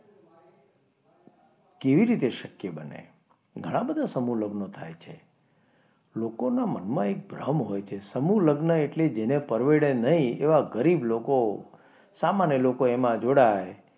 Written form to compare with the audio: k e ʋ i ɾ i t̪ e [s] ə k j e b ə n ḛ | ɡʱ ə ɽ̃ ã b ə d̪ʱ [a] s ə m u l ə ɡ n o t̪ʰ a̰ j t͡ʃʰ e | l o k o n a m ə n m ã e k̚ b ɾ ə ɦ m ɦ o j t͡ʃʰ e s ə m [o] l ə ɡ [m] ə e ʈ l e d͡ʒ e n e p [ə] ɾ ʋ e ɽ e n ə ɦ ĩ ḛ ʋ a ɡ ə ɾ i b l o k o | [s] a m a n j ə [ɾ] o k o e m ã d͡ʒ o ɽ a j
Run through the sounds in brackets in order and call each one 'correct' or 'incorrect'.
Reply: incorrect: ʃ, correct, incorrect: u, incorrect: n, correct, correct, incorrect: l

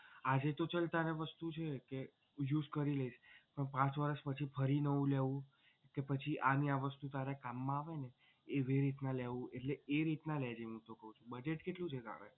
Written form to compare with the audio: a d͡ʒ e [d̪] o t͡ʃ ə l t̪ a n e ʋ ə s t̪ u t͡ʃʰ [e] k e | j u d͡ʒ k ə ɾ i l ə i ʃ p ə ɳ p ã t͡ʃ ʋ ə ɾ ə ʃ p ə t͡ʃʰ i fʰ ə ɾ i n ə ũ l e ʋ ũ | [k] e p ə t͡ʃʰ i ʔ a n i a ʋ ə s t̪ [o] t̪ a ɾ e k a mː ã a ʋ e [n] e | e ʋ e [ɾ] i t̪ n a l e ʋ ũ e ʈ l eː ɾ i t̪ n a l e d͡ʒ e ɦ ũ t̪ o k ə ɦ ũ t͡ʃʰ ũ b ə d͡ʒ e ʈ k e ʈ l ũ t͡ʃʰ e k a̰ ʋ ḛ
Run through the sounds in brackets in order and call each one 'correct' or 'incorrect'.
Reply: incorrect: t̪, correct, correct, incorrect: u, correct, correct

